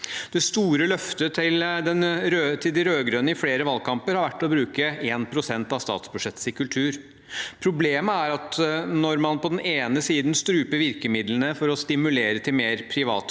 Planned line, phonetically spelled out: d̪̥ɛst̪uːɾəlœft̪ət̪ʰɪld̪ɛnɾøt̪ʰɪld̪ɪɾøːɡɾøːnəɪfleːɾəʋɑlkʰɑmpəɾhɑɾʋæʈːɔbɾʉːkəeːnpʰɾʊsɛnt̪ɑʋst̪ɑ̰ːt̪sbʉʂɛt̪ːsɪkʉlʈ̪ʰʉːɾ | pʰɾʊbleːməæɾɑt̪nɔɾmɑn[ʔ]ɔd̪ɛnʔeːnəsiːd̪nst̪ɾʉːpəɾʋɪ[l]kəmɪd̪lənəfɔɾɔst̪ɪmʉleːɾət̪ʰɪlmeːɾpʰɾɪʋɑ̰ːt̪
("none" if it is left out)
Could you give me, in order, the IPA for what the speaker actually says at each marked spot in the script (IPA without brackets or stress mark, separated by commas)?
p, ɾ